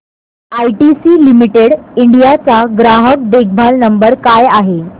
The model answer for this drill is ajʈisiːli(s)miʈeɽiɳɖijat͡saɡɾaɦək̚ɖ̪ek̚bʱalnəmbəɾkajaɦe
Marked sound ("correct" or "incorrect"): incorrect